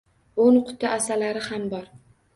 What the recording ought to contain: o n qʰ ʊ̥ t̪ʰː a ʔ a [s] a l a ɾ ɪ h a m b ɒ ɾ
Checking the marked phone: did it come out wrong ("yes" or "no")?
no